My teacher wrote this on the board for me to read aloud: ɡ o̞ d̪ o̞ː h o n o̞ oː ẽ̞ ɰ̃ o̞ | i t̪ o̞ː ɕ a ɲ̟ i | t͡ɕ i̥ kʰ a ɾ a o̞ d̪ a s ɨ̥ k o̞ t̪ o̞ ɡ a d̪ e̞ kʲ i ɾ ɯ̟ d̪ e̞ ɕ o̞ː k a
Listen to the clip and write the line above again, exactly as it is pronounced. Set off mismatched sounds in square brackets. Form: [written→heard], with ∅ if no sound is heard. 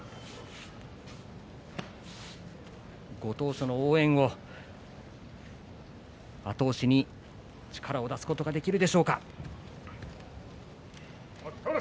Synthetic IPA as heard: ɡ o̞ [d̪→t̪] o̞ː [h→ɕ] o n o̞ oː ẽ̞ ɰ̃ o̞ | [i→a] t̪ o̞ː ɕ [a→i] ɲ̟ i | t͡ɕ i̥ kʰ a ɾ a o̞ d̪ a s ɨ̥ k o̞ t̪ o̞ ɡ a d̪ e̞ kʲ i ɾ ɯ̟ d̪ e̞ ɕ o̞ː k a